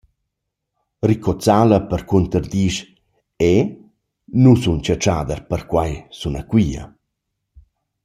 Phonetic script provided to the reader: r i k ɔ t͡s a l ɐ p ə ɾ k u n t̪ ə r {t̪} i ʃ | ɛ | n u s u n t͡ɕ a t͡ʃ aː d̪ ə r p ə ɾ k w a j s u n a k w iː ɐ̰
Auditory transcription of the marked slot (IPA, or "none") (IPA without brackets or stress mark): d̪